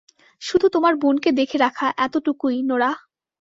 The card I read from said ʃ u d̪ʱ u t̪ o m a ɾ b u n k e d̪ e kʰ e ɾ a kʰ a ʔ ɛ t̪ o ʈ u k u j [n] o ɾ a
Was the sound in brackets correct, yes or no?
yes